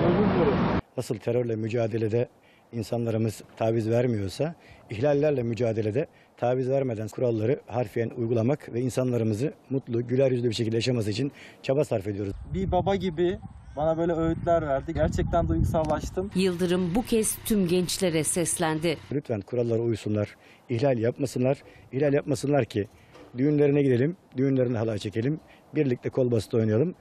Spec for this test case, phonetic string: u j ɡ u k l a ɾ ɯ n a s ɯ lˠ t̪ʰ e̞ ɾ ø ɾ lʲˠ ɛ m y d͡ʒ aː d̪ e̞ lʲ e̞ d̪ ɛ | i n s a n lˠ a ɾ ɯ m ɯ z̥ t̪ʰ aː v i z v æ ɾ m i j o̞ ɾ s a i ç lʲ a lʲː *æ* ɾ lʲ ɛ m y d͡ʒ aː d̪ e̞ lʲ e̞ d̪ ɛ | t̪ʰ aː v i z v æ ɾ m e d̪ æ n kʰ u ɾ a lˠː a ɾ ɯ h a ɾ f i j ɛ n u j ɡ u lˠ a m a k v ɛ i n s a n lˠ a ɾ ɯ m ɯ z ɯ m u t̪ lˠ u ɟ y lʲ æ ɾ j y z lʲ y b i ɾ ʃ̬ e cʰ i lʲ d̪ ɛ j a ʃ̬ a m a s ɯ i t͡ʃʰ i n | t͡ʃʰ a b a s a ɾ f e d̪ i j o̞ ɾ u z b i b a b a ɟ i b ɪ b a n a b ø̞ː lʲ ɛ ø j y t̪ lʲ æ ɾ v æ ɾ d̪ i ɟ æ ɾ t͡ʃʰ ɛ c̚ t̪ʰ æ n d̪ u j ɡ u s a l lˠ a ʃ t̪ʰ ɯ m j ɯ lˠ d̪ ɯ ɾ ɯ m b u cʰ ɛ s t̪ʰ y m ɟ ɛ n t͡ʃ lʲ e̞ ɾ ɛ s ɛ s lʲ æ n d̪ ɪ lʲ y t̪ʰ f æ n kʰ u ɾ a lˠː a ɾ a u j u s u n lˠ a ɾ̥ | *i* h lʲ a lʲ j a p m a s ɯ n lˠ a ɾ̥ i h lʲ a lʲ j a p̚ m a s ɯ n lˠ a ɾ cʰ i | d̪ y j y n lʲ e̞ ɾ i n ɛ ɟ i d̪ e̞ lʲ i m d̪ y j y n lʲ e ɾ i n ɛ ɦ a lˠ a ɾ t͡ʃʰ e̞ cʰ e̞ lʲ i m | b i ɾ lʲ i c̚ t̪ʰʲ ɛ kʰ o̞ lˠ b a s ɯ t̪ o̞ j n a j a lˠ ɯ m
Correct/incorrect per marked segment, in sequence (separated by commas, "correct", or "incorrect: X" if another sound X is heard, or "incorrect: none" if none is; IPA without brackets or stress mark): correct, correct